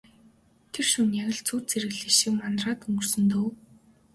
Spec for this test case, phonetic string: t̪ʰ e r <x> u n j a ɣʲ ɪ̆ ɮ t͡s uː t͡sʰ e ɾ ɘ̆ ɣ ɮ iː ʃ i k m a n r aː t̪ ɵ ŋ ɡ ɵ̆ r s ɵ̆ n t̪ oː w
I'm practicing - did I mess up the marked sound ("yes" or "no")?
yes